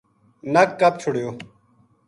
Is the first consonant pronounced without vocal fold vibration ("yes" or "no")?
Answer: no